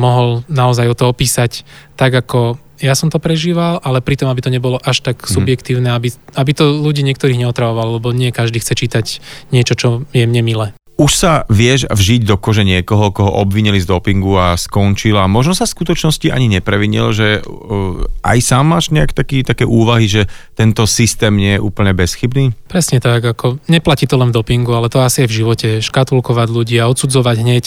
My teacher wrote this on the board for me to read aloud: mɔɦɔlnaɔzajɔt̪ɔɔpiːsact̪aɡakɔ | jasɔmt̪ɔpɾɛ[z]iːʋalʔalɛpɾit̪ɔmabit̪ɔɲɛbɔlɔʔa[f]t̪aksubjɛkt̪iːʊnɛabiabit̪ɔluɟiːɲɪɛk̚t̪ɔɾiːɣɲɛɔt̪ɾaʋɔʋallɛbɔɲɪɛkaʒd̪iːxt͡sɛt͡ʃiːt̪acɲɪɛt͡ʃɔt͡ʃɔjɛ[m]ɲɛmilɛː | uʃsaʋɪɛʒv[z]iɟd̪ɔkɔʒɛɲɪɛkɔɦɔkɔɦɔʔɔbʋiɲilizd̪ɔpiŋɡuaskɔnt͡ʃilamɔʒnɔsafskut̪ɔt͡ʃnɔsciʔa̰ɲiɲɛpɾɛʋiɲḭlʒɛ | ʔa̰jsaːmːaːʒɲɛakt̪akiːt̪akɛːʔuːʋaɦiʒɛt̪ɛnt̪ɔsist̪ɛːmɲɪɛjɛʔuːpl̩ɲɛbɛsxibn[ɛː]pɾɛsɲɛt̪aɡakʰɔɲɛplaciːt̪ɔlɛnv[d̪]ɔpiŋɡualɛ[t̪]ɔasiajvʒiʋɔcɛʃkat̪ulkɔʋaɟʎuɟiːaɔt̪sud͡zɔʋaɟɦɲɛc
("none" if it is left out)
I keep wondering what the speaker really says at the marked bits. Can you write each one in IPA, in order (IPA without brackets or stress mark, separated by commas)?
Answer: ʒ, ʃ, m, ʒ, iː, d̪, t̪